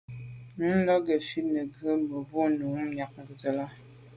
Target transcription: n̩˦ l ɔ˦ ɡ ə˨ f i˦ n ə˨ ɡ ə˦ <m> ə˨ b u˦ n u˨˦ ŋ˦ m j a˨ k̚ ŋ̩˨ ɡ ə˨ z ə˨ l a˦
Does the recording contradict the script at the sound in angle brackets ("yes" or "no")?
no